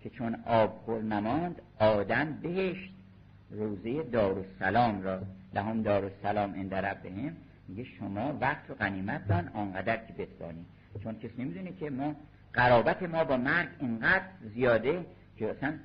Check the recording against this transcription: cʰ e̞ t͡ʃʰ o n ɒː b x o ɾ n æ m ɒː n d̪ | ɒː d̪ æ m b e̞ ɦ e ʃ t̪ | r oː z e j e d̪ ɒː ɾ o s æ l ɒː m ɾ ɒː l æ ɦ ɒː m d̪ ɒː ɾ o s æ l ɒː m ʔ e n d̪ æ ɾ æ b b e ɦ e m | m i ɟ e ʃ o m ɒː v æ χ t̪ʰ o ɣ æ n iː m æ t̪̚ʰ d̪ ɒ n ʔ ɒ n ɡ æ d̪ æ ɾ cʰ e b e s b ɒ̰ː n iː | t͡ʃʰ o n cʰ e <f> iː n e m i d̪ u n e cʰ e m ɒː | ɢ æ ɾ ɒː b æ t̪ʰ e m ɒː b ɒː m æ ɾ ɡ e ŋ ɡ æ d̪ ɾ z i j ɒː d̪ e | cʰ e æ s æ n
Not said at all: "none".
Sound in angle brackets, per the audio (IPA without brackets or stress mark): s